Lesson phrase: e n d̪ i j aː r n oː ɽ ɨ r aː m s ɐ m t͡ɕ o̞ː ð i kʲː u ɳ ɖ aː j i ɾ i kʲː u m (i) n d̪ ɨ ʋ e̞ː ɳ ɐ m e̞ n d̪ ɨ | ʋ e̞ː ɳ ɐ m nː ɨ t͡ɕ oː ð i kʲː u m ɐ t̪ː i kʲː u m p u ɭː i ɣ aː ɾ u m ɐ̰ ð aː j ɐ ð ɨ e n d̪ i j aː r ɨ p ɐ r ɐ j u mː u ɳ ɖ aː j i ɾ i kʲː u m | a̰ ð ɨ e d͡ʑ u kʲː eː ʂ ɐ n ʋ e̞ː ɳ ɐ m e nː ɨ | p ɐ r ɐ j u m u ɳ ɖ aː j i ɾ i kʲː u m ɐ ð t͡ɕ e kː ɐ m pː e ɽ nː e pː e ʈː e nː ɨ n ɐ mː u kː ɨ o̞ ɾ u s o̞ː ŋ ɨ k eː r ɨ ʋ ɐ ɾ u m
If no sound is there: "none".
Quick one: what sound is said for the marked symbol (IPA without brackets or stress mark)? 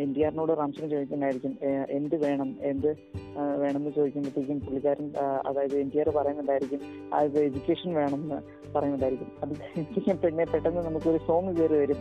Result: e